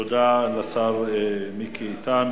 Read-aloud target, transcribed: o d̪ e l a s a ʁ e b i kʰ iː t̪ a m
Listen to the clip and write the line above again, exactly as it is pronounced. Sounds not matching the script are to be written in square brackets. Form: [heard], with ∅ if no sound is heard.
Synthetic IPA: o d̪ [a] l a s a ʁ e [m] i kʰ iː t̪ a [n]